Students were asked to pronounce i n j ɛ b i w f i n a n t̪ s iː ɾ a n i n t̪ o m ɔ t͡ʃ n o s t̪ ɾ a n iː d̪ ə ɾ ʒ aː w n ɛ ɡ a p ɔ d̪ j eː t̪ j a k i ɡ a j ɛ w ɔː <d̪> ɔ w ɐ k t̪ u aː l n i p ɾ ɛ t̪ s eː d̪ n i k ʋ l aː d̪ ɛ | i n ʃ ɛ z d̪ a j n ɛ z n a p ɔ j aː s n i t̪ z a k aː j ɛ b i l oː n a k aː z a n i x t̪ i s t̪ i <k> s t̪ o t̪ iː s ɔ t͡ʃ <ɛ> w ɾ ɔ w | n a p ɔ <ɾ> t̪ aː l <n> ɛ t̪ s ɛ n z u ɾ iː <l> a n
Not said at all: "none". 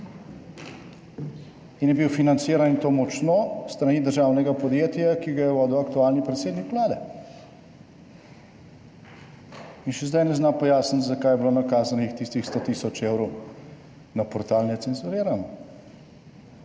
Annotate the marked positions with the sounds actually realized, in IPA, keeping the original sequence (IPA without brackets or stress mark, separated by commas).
d̪, x, e, ɾ, n, ɾ